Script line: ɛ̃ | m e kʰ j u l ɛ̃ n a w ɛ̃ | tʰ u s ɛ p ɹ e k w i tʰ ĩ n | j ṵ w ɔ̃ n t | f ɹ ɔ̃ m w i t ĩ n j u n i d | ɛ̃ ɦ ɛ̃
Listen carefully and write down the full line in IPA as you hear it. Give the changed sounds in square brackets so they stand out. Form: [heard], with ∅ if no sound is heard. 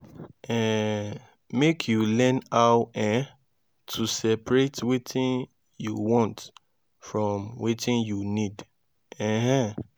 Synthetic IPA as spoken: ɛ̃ | m e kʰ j u l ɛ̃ n a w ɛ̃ | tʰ u s ɛ p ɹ e [t] w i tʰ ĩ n | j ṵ w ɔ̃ n t | f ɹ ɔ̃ m w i t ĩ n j u n i d | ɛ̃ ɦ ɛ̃